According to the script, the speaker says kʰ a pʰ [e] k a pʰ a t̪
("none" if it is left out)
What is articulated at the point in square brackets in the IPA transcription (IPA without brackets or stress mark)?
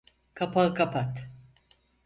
a